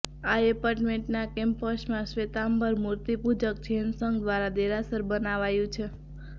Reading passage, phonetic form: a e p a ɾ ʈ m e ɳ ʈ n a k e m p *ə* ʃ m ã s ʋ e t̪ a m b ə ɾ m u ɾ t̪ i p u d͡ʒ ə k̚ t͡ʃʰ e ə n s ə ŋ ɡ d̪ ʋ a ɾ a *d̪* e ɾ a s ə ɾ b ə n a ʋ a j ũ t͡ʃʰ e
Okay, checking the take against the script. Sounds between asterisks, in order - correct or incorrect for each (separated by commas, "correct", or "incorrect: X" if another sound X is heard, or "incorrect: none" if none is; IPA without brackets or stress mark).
correct, correct